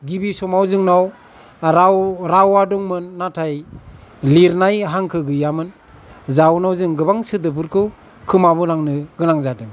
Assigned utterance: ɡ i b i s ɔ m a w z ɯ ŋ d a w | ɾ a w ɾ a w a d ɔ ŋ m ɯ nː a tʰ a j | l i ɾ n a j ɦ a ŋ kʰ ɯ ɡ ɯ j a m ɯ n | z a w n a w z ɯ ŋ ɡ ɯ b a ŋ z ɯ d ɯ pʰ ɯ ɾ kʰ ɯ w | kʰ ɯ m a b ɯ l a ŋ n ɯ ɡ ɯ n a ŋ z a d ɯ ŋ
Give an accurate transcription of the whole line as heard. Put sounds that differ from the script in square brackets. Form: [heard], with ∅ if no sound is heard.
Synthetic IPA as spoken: ɡ i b i s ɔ m a w z ɯ ŋ [n] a w | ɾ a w ɾ a w a d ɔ ŋ m ɯ nː a tʰ a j | l i ɾ n a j ɦ a ŋ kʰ ɯ ɡ ɯ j a m ɯ n | z a w n a w z ɯ ŋ ɡ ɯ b a ŋ [s] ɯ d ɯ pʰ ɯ ɾ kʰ ɯ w | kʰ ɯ m a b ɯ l a ŋ n ɯ ɡ ɯ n a ŋ z a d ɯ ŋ

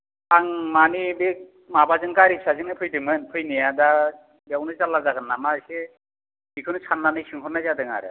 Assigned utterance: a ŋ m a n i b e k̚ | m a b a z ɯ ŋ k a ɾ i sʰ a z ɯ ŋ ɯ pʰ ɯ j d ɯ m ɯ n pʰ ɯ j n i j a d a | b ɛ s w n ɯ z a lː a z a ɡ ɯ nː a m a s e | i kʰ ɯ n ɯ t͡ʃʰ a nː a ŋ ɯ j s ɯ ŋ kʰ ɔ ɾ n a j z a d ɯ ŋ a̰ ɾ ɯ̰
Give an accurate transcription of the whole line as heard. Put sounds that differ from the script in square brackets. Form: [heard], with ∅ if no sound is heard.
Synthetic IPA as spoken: a ŋ m a n i b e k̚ | m a b a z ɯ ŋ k a ɾ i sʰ a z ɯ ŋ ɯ pʰ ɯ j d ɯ m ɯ n pʰ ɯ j n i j a d a | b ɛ [∅] w n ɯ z a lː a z a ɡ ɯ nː a m a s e | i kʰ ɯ n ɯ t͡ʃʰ a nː a [n] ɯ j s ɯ ŋ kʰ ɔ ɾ n a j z a d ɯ ŋ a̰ ɾ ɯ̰

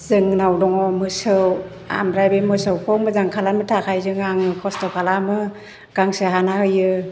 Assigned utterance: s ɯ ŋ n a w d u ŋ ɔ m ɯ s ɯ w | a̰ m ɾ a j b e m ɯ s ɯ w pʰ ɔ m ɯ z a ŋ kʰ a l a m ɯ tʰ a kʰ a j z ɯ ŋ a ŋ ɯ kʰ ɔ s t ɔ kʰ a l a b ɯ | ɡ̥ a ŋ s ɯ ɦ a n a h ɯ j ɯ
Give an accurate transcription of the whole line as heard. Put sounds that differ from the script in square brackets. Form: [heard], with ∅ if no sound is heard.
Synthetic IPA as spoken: [z] ɯ ŋ n a w d [ɔ] ŋ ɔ m ɯ s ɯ w | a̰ m ɾ a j b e m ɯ s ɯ w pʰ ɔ m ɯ z a ŋ kʰ a l a m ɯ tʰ a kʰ a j z ɯ ŋ a ŋ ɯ kʰ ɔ s t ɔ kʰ a l a [m] ɯ | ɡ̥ a ŋ s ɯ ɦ a n a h ɯ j ɯ

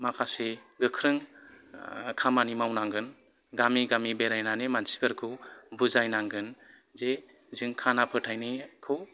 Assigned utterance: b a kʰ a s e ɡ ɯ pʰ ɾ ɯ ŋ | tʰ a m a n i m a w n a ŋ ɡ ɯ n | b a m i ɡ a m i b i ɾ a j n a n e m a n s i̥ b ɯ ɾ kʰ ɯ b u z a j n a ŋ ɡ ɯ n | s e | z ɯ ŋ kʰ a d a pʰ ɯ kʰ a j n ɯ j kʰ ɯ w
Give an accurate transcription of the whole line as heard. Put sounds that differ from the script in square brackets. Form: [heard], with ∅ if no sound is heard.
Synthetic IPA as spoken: [m] a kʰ a s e ɡ ɯ [kʰ] ɾ ɯ ŋ | [kʰ] a m a n i m a w n a ŋ ɡ ɯ n | [ɡ] a m i ɡ a m i b [e] ɾ a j n a n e m a n s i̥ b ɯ ɾ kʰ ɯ b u z a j n a ŋ ɡ ɯ n | [z] e | z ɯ ŋ kʰ a [n] a pʰ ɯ [tʰ] a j n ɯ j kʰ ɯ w

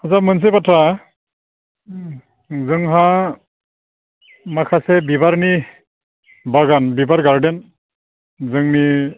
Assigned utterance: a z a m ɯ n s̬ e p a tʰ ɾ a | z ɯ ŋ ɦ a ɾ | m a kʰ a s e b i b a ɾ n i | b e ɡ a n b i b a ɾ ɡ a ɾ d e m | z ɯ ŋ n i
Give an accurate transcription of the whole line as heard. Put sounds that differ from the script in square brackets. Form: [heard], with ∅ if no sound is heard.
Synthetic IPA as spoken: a z a m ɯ n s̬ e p a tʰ ɾ a | z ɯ ŋ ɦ a [∅] | m a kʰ a s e b i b a ɾ n i | b [a] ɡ a n b i b a ɾ ɡ a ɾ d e [n] | z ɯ ŋ n i

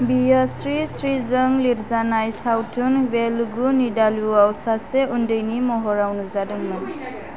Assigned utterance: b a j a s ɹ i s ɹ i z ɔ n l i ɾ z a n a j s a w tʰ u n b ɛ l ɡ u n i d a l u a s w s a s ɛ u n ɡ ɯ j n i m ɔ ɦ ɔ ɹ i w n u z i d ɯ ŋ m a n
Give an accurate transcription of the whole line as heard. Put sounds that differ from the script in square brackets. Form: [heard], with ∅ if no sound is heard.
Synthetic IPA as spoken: b [i] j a s ɹ i s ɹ i z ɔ [ŋ] l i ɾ z a n a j s a w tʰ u n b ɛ l ɡ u n i d a l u a [∅] w s a s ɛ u n [d] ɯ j n i m ɔ ɦ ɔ ɹ [a] w n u z [a] d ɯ ŋ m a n

